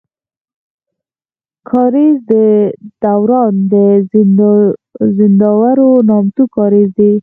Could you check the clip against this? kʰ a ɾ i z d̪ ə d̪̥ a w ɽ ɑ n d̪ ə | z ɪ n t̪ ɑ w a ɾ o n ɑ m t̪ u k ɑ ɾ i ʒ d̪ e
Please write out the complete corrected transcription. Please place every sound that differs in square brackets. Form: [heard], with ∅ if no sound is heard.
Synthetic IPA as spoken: kʰ [ɑ] ɾ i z d̪ ə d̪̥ a w [ɾ] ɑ n d̪ ə | z ɪ n [d̪] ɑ w a ɾ o n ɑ m t̪ u k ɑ ɾ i [z] d̪ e